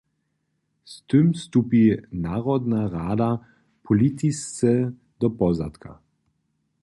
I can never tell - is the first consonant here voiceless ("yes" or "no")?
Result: yes